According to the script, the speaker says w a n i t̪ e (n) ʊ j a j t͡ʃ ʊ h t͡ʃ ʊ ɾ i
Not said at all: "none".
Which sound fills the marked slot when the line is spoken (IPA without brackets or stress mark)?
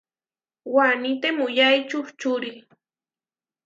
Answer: m